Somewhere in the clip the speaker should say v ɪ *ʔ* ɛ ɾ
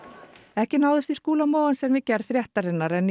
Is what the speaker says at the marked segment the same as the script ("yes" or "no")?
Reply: no